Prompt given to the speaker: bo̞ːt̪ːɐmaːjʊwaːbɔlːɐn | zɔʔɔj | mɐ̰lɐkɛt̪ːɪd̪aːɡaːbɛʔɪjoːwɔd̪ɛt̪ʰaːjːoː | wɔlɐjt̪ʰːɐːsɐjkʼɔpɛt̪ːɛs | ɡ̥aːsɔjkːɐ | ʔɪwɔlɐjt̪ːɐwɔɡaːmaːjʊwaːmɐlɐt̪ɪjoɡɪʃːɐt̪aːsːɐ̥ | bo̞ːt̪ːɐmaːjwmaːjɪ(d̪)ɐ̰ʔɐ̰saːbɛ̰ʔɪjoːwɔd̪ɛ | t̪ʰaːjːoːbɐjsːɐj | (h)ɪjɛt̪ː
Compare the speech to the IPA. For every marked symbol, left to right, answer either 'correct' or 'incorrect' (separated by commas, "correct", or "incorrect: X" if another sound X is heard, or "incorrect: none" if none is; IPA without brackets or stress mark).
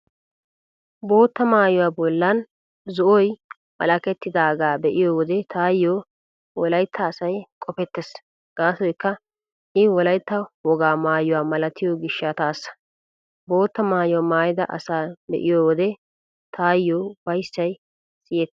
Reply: correct, incorrect: s